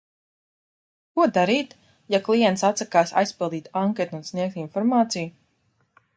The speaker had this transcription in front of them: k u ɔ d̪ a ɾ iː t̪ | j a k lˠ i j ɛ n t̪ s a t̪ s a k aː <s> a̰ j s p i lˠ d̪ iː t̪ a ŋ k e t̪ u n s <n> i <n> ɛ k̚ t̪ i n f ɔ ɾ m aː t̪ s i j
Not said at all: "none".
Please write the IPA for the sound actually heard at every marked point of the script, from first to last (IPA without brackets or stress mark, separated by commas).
s, n, none